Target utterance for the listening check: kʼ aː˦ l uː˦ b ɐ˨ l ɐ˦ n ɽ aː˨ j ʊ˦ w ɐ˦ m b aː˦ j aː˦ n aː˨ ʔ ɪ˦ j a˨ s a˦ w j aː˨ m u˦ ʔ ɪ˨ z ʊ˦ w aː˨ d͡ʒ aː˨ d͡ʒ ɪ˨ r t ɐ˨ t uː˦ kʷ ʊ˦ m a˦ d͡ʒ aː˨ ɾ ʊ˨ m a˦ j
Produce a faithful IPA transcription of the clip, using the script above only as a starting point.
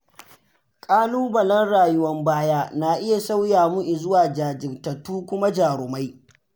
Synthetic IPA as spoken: kʼ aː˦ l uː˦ b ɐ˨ l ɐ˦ n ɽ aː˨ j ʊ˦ w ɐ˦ m b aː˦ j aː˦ n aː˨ ʔ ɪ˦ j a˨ s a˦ w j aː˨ m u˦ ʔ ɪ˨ z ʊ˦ w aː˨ d͡ʒ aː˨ d͡ʒ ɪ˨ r t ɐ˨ t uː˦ kʷ ʊ˦ m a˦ d͡ʒ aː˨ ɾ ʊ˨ m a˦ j